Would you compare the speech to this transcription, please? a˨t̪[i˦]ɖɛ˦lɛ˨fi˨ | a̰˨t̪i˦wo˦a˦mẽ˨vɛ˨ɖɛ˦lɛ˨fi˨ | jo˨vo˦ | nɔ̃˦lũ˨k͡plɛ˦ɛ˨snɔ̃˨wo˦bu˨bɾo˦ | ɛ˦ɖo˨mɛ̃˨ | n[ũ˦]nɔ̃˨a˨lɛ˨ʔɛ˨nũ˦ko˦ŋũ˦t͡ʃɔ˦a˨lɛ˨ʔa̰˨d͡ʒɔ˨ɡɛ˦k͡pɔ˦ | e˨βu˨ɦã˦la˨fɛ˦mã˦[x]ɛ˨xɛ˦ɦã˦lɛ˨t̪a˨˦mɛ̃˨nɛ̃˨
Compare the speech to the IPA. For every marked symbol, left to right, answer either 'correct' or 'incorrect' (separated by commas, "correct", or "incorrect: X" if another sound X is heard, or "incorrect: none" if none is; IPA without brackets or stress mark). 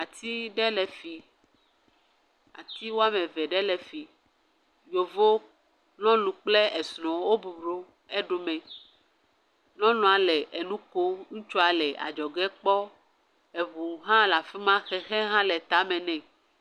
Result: correct, incorrect: ɔ̃˦, correct